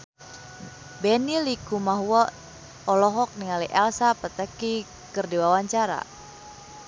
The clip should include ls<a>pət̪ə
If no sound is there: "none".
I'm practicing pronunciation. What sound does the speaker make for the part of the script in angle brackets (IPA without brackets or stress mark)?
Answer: a